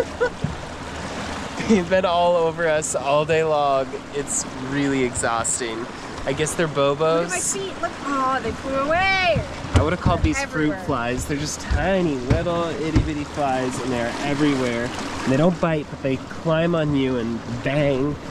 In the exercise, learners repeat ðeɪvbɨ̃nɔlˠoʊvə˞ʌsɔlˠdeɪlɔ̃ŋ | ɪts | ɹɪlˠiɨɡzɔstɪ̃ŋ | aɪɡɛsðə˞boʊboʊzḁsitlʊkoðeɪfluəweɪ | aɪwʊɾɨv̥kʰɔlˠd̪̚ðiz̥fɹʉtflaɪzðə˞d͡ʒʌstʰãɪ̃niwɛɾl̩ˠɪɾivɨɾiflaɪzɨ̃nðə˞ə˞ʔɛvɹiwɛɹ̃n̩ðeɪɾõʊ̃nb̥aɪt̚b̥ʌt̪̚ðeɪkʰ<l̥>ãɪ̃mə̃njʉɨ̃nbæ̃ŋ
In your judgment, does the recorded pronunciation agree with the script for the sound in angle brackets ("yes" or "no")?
yes